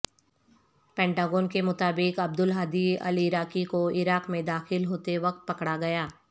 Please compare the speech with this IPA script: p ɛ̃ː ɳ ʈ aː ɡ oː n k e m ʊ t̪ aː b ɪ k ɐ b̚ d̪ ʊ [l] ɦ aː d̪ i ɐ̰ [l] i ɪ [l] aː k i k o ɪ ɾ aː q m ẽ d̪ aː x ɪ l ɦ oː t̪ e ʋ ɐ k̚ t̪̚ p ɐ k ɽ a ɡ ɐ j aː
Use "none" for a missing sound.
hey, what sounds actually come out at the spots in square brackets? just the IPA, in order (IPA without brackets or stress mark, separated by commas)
l, l, ɾ